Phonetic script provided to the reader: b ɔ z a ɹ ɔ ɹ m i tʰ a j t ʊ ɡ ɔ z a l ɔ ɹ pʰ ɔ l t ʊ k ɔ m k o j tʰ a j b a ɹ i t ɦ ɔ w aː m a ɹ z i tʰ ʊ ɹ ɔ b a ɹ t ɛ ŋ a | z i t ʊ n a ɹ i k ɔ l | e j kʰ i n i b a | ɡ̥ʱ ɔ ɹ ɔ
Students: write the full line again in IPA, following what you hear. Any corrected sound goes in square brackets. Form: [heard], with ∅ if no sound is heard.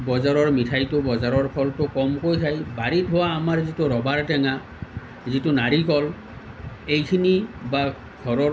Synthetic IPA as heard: b ɔ z a ɹ ɔ ɹ m i tʰ a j t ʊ [b] ɔ z a [ɹ] ɔ ɹ pʰ ɔ l t ʊ k ɔ m k o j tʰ a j b a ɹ i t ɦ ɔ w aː m a ɹ z i [t] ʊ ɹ ɔ b a ɹ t ɛ ŋ a | z i t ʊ n a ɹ i k ɔ l | e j kʰ i n i b a | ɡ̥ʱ ɔ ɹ ɔ